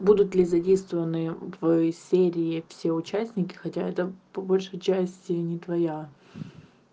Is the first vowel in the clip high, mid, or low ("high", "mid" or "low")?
high